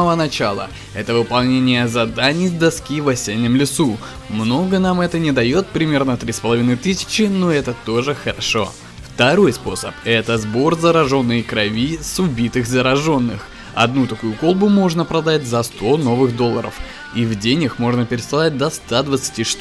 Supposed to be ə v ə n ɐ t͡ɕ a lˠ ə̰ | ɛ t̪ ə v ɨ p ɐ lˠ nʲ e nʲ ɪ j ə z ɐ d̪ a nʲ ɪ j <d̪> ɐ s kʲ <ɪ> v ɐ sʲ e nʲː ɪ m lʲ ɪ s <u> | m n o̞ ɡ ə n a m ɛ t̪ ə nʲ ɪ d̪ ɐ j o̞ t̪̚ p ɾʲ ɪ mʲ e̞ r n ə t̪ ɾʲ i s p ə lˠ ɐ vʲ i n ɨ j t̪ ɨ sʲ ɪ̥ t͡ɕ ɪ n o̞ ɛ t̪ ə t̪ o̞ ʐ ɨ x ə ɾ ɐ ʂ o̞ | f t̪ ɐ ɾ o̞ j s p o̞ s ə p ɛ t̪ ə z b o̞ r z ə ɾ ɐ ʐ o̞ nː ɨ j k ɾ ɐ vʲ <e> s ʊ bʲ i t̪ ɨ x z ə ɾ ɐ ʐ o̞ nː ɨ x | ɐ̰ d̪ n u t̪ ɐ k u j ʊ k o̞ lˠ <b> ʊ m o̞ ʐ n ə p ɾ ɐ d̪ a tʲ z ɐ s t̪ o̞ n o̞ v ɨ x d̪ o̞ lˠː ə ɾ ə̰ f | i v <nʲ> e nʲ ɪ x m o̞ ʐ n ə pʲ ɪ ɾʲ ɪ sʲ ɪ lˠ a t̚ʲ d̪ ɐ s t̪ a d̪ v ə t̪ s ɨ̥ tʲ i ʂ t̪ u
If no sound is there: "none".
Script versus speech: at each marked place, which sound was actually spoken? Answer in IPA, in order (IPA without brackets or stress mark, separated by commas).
d̪, i, u, i, b, dʲ